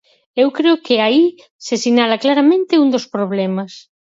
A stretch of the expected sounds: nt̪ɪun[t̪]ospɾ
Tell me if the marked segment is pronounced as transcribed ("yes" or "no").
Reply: no